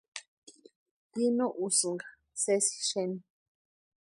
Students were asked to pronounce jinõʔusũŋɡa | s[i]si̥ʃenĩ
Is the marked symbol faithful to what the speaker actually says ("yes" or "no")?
no